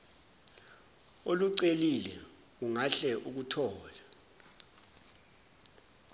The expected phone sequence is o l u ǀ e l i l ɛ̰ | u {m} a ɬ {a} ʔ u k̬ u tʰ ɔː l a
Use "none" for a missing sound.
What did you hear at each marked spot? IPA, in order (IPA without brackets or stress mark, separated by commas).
ŋ, ɛ